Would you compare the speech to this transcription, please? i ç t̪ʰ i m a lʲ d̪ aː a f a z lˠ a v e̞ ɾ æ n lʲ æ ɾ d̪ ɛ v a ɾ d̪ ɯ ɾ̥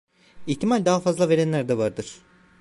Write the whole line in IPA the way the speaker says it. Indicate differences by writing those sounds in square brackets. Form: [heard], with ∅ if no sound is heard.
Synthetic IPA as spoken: i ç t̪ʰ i m a lʲ d̪ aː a f a z lˠ a v e̞ ɾ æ n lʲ æ ɾ d̪ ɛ v a ɾ d̪ ɯ ɾ̥